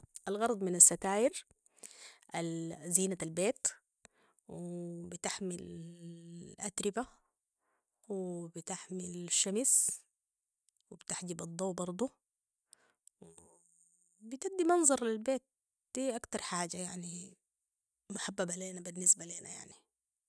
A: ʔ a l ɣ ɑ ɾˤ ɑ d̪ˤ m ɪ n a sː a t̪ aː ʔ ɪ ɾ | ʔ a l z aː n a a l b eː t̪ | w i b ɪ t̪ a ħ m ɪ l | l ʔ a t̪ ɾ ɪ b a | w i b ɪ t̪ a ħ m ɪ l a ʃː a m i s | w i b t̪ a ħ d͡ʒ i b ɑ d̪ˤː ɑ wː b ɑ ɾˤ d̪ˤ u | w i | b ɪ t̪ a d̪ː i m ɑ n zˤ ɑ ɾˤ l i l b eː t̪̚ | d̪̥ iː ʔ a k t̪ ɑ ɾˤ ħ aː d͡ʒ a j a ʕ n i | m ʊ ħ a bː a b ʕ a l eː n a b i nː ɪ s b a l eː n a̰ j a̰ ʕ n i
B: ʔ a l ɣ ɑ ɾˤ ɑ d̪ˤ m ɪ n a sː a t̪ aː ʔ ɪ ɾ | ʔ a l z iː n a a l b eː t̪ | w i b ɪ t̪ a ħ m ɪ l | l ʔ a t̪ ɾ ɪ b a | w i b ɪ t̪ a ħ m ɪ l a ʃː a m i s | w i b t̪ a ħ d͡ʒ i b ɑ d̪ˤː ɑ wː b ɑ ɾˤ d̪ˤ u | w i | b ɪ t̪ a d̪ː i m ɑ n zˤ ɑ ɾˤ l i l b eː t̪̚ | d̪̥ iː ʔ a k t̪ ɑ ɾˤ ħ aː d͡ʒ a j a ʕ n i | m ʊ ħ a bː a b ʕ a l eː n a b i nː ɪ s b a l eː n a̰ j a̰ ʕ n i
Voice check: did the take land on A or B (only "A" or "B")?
B